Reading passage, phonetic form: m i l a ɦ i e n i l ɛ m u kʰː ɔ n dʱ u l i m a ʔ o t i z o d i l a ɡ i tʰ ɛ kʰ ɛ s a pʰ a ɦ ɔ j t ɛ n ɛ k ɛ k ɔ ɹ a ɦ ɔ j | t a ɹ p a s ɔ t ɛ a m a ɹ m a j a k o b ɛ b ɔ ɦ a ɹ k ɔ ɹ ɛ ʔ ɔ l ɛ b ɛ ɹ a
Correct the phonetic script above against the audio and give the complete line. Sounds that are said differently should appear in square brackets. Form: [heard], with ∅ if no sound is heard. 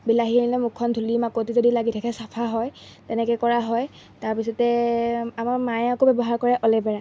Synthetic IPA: [b] i l a ɦ i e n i l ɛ m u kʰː ɔ n dʱ u l i m a [k] o t i z o d i l a ɡ i tʰ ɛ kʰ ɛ s a pʰ a ɦ ɔ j t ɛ n ɛ k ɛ k ɔ ɹ a ɦ ɔ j | t a ɹ p [i] s ɔ t ɛ a m a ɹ m a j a k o b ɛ b ɔ ɦ a ɹ k ɔ ɹ ɛ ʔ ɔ l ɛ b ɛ ɹ a

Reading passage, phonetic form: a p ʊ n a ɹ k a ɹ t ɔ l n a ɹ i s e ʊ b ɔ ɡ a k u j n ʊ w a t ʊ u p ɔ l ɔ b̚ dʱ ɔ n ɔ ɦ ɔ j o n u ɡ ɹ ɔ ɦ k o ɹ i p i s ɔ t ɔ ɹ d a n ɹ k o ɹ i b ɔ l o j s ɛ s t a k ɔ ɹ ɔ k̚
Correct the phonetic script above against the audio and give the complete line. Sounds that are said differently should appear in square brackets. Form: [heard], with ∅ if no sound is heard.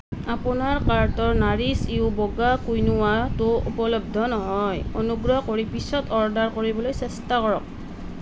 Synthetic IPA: a p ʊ n a ɹ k a ɹ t ɔ [ɹ] n a ɹ i s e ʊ b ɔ ɡ a k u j n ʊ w a t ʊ u p ɔ l ɔ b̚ dʱ ɔ n ɔ ɦ ɔ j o n u ɡ ɹ ɔ ɦ k o ɹ i p i s ɔ t ɔ ɹ d a [∅] ɹ k o ɹ i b ɔ l o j s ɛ s t a k ɔ ɹ ɔ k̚

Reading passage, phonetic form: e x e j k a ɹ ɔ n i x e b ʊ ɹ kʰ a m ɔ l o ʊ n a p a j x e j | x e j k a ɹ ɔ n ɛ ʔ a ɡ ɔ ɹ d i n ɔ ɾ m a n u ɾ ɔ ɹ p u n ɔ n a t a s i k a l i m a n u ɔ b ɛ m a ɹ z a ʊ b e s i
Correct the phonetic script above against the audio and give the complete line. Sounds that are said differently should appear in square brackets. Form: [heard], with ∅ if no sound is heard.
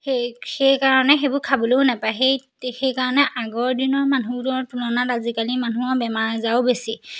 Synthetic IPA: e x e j k a ɹ ɔ n [ɛ] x e b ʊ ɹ kʰ a [b] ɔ l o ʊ n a p a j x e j | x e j k a ɹ ɔ n ɛ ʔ a ɡ ɔ ɹ d i n ɔ [ɹ] m a n u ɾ ɔ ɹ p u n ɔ n a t a [z] i k a l i m a n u ɔ b ɛ m a ɹ z a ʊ b e s i

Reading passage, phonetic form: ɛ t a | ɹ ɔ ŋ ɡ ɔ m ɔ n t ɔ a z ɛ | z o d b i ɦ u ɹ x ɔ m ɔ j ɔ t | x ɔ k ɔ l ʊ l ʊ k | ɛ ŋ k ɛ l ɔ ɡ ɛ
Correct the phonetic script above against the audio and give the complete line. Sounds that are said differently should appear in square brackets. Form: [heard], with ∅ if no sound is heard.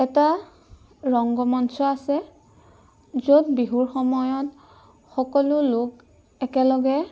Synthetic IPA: ɛ t a | ɹ ɔ ŋ ɡ ɔ m ɔ n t ɔ a [s] ɛ | z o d b i ɦ u ɹ x ɔ m ɔ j ɔ t | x ɔ k ɔ l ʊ l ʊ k | ɛ [∅] k ɛ l ɔ ɡ ɛ

